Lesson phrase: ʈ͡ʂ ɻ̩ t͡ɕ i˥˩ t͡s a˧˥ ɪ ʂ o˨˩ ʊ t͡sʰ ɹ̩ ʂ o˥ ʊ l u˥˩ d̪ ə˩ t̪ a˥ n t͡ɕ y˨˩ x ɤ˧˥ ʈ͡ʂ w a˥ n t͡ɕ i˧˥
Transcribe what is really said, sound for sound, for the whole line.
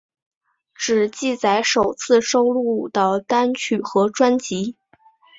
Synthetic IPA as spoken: ʈ͡ʂ ɻ̩ t͡ɕ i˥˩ t͡s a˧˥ ɪ ʂ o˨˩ ʊ t͡sʰ ɹ̩ ʂ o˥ ʊ l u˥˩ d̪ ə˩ t̪ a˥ n t͡ɕʰ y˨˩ x ɤ˧˥ ʈ͡ʂ w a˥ n t͡ɕ i˧˥